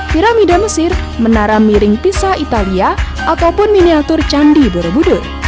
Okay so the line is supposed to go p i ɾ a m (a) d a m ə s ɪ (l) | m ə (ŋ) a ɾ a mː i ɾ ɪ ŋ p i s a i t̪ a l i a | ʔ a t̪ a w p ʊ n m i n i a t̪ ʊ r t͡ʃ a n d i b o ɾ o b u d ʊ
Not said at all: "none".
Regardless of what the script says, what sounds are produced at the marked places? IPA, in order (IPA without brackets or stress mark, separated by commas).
i, r, n